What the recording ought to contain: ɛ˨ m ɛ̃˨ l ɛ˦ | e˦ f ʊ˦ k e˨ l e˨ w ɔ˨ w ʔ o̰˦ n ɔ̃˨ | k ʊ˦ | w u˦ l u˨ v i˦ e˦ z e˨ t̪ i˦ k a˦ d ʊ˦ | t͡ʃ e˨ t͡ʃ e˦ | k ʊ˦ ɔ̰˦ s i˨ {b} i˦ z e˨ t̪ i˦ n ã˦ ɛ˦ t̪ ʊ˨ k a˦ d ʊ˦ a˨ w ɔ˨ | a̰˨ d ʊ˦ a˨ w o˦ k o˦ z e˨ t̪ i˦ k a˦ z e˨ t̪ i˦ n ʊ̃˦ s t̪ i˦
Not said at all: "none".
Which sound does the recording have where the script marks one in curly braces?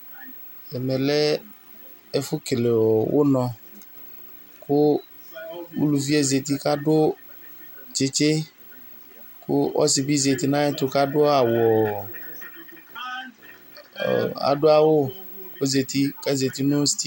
b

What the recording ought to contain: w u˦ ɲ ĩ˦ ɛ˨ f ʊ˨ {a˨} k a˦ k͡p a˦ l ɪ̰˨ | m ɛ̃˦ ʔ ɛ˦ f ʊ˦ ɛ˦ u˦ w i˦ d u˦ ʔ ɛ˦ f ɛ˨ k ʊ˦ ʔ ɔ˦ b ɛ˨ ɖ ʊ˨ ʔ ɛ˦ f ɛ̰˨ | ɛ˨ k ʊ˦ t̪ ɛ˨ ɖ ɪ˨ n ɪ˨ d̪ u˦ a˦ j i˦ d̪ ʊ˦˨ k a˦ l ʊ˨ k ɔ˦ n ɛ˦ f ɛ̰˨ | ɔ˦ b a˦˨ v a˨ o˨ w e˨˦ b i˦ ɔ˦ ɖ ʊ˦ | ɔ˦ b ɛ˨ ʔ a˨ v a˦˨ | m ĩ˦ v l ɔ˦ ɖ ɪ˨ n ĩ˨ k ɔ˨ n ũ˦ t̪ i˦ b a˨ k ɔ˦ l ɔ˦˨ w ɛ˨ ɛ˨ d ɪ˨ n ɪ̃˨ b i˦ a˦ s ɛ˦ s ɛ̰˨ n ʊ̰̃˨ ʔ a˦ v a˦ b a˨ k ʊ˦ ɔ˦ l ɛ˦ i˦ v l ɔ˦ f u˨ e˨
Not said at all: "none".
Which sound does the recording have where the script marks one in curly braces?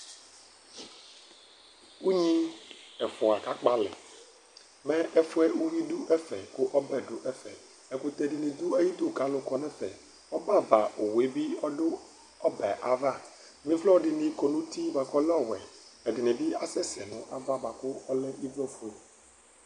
a˨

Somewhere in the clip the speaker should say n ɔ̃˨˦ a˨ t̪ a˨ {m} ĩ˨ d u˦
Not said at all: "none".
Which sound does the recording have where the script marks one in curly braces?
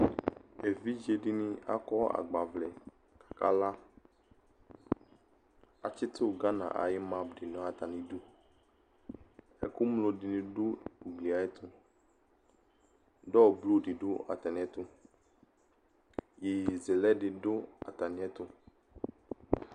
n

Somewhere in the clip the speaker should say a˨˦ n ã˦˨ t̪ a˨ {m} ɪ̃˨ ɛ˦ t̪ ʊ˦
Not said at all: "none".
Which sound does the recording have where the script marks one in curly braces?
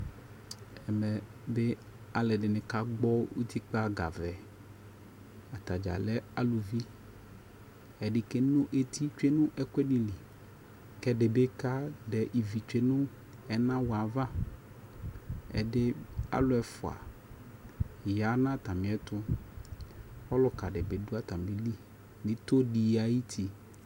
m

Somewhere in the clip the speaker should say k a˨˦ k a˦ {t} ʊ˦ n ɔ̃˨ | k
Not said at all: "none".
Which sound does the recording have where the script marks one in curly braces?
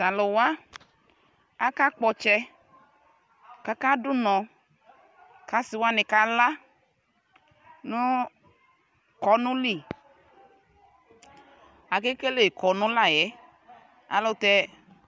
d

